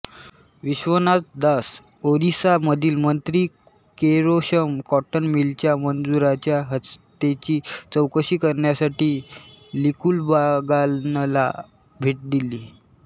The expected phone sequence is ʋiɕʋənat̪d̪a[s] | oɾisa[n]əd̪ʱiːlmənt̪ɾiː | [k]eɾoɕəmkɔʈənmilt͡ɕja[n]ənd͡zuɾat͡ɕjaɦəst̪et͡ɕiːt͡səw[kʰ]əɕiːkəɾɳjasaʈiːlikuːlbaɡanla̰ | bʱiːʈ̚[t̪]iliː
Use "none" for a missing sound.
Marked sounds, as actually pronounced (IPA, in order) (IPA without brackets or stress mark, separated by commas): s, m, k, m, k, d̪